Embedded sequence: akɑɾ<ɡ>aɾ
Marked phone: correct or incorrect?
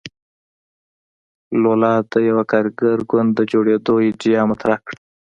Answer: correct